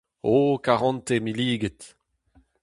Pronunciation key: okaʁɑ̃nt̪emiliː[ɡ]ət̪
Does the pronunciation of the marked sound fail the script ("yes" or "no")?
no